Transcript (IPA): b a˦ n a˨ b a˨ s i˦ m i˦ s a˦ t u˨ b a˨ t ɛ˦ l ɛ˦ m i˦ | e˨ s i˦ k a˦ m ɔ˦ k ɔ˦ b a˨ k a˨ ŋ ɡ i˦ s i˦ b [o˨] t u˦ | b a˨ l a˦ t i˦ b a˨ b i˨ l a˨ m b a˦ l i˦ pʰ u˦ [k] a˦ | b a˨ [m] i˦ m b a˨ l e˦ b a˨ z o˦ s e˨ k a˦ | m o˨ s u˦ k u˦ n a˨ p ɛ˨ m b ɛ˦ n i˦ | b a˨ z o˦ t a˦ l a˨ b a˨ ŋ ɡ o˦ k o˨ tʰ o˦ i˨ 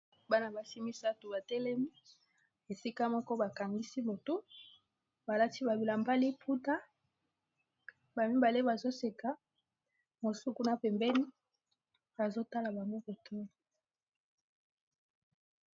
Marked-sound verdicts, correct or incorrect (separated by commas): correct, incorrect, correct